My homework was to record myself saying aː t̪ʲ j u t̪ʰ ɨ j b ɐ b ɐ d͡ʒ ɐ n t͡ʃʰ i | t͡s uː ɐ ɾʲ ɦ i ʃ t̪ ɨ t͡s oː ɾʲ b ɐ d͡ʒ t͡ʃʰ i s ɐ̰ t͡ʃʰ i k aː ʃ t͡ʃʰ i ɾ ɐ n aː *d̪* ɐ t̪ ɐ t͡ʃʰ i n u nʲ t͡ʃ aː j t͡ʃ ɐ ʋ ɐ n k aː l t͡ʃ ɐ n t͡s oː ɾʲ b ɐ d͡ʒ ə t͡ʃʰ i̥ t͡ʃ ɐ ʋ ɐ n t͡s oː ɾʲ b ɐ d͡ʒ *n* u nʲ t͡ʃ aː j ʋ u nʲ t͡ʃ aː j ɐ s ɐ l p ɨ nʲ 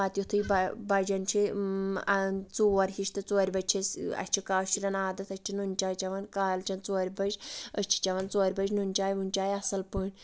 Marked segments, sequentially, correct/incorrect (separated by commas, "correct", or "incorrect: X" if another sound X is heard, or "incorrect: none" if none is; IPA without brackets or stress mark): correct, correct